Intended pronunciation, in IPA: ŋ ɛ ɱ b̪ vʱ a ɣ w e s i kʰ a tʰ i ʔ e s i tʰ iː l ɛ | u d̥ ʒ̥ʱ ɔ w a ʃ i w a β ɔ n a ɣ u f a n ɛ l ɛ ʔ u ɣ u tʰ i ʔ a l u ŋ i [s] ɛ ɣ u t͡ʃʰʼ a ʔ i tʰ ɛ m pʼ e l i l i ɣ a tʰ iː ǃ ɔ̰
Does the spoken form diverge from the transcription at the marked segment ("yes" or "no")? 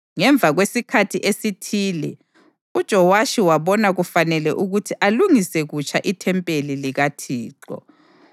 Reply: no